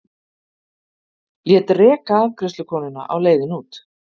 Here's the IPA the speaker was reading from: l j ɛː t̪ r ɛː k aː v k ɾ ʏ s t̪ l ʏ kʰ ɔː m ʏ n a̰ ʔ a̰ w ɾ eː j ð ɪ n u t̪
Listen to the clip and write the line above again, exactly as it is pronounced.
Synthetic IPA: l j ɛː t̪ r ɛː k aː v k ɾ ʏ s t̪ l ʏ kʰ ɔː n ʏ n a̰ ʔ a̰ w l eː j ð ɪ n uː t̪